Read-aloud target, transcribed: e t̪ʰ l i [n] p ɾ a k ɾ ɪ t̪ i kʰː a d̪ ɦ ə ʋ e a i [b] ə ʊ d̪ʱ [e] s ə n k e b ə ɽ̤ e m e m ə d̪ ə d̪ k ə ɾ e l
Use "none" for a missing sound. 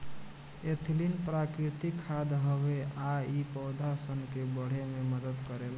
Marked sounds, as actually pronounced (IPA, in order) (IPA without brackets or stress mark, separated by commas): n, p, a